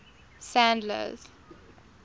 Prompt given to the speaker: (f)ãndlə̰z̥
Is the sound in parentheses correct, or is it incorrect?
incorrect: s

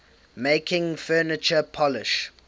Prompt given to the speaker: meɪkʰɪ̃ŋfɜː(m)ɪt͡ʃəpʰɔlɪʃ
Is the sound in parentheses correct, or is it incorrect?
incorrect: n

